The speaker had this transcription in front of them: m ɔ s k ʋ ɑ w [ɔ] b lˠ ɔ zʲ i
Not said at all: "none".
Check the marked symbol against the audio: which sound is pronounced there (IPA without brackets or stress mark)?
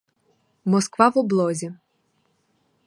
ɔ